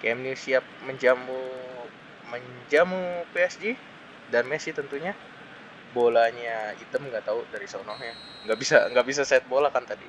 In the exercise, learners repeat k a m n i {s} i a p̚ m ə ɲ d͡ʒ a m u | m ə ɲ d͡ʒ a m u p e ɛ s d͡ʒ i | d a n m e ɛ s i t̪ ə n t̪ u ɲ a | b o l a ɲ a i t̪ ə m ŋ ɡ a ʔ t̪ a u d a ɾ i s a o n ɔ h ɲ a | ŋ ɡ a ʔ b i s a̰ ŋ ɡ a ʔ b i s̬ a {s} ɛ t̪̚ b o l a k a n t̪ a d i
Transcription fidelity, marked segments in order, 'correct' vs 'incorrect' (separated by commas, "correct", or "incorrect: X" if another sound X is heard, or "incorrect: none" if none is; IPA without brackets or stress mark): correct, correct